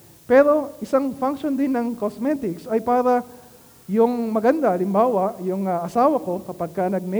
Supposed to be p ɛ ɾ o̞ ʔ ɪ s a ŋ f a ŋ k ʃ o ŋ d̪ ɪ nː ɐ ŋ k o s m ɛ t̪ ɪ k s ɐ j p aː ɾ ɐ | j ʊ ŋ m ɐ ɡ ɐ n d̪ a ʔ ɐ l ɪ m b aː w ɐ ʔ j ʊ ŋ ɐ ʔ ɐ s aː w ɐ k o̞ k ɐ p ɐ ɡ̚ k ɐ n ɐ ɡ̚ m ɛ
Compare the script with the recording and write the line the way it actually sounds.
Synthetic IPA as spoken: p ɛ ɾ o̞ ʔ ɪ s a ŋ f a ŋ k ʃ o n d̪ ɪ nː ɐ ŋ k o s m ɛ t̪ ɪ k s ɐ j p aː ɾ ɐ | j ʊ ŋ m ɐ ɡ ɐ n d̪ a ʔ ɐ l ɪ m b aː w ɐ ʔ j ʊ ŋ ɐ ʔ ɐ s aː w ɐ k o̞ k ɐ p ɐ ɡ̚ k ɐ n ɐ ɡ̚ m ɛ